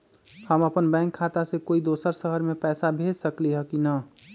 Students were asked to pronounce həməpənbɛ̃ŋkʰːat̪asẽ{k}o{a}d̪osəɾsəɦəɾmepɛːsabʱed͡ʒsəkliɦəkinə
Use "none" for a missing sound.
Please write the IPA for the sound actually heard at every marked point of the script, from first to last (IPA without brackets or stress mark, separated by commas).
k, i